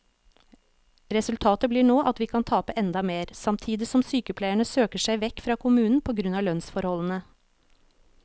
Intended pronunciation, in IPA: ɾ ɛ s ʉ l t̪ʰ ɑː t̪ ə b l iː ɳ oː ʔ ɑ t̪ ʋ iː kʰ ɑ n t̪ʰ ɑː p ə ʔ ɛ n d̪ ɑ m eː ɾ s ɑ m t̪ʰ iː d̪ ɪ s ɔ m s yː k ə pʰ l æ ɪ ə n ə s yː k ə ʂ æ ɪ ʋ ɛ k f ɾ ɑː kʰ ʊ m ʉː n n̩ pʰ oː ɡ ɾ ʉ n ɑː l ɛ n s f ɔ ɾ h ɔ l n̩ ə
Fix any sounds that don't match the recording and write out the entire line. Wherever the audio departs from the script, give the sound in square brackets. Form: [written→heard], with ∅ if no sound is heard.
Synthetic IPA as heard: ɾ ɛ s ʉ l t̪ʰ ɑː t̪ ə b l iː ɳ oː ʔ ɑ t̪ ʋ iː kʰ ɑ n t̪ʰ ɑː p ə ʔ ɛ n d̪ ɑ m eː ɾ s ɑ m t̪ʰ iː d̪ ɪ s ɔ m s yː k ə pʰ l æ ɪ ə [n→ɳ] ə s [yː→øː] k ə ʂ æ ɪ ʋ ɛ k f ɾ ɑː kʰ ʊ m ʉː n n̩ pʰ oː ɡ ɾ ʉ n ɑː l [ɛ→œ] n s f ɔ ɾ h ɔ l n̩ ə